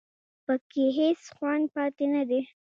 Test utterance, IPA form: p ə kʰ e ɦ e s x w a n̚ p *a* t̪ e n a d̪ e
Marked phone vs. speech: incorrect: ɑ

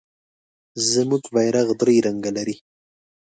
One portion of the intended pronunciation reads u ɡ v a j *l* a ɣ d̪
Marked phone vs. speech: incorrect: ɾ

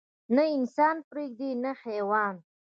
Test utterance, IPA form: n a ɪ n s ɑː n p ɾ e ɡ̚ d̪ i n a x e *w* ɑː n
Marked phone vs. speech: correct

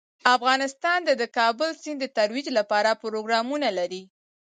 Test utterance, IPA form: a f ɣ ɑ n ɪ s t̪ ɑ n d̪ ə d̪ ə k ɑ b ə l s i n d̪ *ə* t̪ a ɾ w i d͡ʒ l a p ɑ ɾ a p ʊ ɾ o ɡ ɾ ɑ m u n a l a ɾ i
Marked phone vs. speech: correct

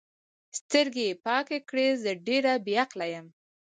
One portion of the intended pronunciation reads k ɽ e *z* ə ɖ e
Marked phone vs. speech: correct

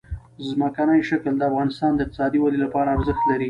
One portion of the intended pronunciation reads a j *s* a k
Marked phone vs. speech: incorrect: ʃ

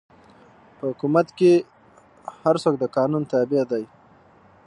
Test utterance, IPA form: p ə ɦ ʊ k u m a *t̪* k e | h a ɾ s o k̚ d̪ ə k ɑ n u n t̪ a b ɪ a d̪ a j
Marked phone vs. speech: correct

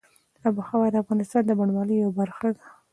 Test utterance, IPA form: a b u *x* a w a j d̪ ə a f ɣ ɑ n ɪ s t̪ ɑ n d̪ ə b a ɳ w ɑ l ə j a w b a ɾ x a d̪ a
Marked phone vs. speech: correct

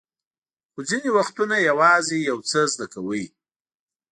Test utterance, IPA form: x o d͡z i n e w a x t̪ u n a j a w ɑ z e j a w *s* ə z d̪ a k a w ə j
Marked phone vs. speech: incorrect: t͡s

